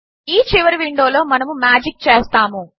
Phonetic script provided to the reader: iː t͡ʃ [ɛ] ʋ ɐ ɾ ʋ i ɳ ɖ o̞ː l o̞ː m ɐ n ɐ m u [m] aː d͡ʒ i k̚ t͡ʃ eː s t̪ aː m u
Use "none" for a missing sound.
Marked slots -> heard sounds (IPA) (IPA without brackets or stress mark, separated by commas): i, m